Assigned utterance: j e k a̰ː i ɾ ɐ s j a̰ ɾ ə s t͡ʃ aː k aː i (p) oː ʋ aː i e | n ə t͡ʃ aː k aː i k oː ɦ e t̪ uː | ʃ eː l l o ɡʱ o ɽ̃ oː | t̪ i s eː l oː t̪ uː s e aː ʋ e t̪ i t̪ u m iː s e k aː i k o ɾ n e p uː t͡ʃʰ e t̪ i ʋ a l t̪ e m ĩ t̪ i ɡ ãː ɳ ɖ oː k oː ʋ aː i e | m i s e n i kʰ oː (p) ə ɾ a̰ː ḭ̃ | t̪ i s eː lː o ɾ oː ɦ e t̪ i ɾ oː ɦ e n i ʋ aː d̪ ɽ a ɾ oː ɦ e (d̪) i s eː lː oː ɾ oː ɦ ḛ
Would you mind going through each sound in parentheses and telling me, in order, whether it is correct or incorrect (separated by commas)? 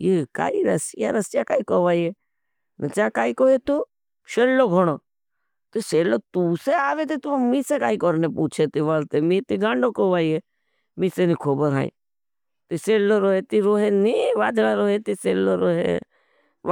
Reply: incorrect, incorrect, incorrect